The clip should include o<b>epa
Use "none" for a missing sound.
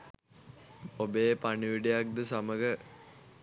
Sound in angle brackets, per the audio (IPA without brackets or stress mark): b